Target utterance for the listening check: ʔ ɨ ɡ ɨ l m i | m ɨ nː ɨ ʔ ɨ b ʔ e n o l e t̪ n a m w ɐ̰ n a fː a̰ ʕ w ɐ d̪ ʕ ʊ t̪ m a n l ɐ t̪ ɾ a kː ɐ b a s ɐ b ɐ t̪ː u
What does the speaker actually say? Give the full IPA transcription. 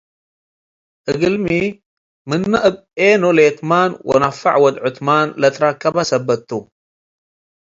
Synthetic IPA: ʔ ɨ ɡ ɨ l m i | m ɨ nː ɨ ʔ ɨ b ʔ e n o l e t̪ m a n w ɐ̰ n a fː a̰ ʕ w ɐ d̪ ʕ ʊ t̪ m a n l ɐ t̪ ɾ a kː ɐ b a s ɐ b ɐ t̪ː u